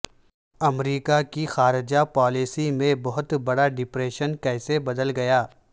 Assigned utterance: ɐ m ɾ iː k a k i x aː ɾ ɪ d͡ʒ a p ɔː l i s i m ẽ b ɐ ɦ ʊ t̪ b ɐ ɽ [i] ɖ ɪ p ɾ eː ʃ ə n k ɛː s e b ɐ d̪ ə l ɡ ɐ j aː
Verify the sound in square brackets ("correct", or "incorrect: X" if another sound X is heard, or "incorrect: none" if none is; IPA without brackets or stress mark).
incorrect: a